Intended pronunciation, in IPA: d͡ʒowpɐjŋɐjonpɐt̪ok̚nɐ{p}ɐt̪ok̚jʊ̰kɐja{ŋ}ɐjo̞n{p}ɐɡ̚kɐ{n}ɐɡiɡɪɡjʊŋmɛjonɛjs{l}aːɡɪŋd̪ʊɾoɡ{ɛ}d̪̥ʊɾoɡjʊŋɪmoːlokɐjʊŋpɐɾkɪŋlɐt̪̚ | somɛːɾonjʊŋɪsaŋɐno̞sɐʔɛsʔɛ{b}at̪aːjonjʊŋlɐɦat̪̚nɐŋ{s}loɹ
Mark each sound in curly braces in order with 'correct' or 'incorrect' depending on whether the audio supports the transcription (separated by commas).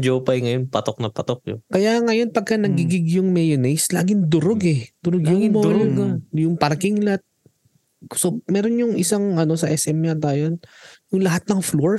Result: correct, correct, correct, correct, correct, correct, incorrect, incorrect